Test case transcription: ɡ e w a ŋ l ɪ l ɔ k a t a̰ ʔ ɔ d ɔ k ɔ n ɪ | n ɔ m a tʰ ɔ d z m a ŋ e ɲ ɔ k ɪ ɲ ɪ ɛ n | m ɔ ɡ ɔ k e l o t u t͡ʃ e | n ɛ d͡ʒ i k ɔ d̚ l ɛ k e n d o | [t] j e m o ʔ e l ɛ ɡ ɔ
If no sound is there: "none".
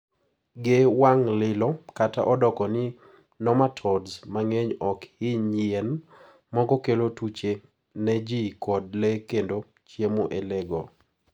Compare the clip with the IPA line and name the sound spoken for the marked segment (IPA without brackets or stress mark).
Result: t͡ʃ